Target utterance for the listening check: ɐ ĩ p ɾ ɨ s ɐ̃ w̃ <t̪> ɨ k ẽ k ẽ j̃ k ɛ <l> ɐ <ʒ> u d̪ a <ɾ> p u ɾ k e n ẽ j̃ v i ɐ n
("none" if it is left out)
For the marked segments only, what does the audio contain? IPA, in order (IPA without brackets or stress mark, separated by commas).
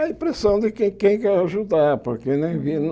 d̪, ɾ, ʒ, ɾ